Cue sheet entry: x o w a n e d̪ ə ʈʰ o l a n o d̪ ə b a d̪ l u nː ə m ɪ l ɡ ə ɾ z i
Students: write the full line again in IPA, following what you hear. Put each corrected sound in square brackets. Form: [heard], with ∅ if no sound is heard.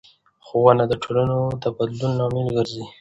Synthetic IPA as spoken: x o w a n [a] d̪ ə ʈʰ o l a n o d̪ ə b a d̪ l u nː [ɑ] m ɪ l ɡ ə ɾ z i